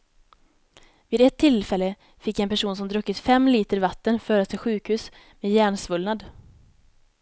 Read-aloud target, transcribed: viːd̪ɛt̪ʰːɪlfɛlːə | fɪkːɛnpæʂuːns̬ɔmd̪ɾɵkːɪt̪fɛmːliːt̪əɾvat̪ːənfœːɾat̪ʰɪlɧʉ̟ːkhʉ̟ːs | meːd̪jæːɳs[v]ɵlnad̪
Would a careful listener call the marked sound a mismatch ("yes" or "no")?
no